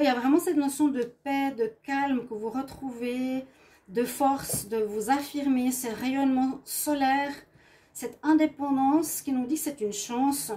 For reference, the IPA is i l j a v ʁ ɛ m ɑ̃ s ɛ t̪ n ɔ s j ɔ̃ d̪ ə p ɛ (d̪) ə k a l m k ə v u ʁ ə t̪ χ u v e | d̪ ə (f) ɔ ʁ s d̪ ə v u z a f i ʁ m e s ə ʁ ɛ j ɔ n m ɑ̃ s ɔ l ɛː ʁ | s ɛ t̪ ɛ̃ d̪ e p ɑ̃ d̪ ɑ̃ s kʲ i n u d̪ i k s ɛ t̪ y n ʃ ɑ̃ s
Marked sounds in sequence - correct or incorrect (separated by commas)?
correct, correct